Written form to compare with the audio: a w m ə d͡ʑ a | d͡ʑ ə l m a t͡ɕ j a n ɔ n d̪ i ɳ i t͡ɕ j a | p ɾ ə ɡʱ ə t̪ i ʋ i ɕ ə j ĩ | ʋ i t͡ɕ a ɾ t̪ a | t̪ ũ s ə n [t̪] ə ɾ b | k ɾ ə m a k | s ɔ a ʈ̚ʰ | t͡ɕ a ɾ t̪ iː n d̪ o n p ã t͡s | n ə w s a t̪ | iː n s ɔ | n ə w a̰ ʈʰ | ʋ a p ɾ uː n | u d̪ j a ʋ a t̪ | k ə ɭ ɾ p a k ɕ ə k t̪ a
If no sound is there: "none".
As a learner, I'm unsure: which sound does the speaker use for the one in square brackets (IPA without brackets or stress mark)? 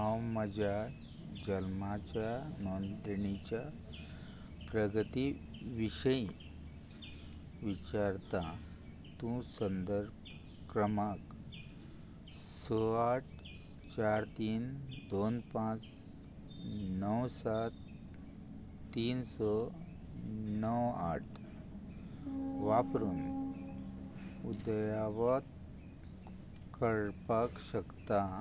d̪